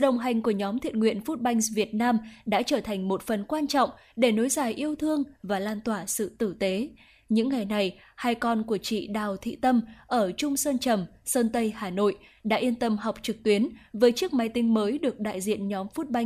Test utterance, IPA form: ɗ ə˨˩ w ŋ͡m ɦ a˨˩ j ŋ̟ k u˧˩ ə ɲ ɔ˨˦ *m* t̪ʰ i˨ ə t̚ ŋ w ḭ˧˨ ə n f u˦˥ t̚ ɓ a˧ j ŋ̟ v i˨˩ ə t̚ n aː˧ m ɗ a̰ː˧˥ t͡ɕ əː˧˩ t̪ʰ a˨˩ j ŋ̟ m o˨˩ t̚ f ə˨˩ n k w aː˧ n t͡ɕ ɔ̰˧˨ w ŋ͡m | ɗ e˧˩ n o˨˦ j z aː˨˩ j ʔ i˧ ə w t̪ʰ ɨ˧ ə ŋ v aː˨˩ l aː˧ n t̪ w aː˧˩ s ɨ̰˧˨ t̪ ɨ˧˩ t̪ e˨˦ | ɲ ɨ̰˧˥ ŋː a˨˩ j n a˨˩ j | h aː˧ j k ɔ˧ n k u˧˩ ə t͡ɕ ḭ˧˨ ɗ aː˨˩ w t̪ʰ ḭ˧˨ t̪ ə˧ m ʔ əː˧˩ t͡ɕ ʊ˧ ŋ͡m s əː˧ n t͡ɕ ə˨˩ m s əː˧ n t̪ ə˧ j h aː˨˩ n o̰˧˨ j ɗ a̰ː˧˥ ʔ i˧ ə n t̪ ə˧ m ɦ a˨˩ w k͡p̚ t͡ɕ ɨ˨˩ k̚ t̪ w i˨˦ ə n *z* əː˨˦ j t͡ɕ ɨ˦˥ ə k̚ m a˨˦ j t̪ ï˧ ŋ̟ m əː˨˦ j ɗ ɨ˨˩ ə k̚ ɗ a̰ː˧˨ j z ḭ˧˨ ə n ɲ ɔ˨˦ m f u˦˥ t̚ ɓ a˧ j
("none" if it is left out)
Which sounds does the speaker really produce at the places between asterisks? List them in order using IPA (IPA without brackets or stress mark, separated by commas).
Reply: m, v